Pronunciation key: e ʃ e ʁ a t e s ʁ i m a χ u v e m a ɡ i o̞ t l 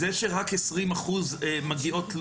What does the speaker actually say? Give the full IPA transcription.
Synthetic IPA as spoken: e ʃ e ʁ a k e s ʁ i m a χ u z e m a ɡ i o̞ t l